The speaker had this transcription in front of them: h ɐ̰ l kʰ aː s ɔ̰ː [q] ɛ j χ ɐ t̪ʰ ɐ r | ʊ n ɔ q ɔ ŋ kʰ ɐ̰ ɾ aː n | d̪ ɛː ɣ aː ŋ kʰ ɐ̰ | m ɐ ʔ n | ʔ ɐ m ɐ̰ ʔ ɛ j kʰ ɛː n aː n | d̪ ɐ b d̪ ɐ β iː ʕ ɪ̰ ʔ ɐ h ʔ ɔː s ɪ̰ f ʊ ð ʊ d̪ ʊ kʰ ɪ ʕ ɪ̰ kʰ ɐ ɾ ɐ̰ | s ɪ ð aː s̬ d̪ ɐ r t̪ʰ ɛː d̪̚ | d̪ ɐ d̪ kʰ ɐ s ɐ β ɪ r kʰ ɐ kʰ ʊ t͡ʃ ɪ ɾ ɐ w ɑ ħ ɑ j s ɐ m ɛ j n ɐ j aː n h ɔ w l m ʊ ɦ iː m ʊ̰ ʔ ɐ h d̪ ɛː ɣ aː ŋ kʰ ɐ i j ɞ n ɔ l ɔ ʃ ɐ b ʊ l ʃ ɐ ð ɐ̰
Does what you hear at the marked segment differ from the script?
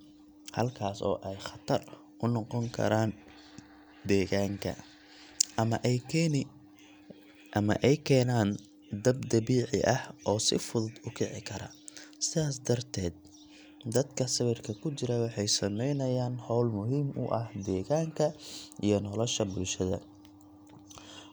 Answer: yes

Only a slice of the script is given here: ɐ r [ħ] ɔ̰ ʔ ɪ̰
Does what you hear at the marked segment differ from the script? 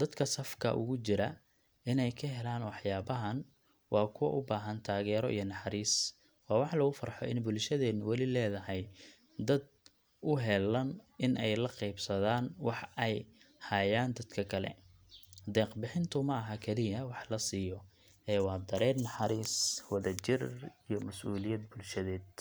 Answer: no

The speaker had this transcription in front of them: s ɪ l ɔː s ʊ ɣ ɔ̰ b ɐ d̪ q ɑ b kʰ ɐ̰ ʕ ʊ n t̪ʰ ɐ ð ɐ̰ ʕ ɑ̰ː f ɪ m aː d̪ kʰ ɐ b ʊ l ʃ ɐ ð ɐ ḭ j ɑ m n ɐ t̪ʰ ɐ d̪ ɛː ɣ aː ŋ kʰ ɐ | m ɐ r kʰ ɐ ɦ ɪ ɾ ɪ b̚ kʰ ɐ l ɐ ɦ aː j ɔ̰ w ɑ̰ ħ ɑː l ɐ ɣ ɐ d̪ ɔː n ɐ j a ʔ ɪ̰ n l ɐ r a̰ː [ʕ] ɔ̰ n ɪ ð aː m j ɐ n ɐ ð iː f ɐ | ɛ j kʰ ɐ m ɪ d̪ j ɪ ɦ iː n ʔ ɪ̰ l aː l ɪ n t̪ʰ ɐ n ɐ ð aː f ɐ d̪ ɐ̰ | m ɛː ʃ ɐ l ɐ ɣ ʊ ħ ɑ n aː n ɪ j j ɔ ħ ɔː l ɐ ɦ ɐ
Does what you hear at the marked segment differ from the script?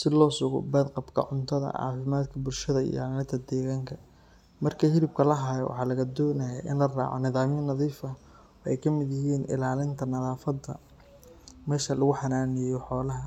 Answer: no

